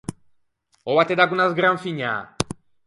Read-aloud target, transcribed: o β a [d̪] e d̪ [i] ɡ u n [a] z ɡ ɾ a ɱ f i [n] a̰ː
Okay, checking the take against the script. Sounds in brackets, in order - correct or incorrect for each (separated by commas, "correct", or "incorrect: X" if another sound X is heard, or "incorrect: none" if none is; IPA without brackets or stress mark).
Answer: incorrect: t̪, incorrect: a, correct, incorrect: ɲ